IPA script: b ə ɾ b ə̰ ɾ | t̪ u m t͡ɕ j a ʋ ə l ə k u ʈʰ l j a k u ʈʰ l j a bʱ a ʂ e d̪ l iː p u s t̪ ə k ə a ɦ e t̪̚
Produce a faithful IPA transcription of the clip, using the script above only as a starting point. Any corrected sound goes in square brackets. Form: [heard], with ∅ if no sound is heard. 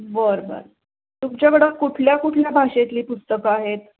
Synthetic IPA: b ə ɾ b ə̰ ɾ | t̪ u m t͡ɕ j a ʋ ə [ɽ] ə k u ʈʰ l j a k u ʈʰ l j a bʱ a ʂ e [t̪] l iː p u s t̪ ə k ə a ɦ e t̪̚

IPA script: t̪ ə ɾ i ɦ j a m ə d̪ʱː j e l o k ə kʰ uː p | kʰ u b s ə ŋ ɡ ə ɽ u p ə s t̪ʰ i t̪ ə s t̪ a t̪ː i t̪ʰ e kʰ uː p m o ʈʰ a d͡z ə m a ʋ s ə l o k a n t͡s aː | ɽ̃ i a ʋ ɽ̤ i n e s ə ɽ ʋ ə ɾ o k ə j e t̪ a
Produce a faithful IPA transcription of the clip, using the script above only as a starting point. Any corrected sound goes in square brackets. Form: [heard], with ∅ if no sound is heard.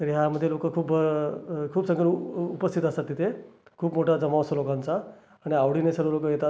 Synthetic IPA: t̪ ə ɾ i ɦ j a m ə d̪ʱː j e l o k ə kʰ uː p | kʰ [uː] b s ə ŋ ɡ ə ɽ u p ə s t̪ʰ i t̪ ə s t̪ a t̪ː i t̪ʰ e kʰ uː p m o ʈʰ a d͡z ə m a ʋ s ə l o k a n t͡s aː | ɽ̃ i a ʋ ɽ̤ i n e s ə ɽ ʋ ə [l] o k ə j e t̪ a

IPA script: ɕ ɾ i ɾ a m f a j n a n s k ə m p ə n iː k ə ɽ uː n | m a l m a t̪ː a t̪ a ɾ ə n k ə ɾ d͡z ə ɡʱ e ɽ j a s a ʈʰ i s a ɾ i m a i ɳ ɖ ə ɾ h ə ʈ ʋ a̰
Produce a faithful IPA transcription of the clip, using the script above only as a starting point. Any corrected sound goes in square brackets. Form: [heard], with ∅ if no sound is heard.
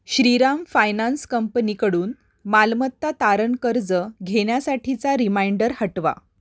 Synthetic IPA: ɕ ɾ i ɾ a m f a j n a n s k ə m p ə n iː k ə ɽ uː n | m a l m [ə] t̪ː a t̪ a ɾ ə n k ə ɾ d͡z ə ɡʱ e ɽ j a s a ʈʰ i [t͡s] a ɾ i m a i ɳ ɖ ə ɾ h ə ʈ ʋ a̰

